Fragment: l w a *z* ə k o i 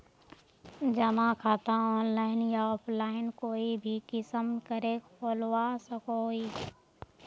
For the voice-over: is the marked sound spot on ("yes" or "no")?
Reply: no